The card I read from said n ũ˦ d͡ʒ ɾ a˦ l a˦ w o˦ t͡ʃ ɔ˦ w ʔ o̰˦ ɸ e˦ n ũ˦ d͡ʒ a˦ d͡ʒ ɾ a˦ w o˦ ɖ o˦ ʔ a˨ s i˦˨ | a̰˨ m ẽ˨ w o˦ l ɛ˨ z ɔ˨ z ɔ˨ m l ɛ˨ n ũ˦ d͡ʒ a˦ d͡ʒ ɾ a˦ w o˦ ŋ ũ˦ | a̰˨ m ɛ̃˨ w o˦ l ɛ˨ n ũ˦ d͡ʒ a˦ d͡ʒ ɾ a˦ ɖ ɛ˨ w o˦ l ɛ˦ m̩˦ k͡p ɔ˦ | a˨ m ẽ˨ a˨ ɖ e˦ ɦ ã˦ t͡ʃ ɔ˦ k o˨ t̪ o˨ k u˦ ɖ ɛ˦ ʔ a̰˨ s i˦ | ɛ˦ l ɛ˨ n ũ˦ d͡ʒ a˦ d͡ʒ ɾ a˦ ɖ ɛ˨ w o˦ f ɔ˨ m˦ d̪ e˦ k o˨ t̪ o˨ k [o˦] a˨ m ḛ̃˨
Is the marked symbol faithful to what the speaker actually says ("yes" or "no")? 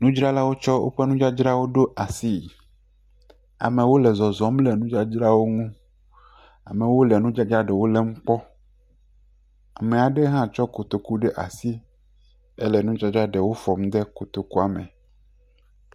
no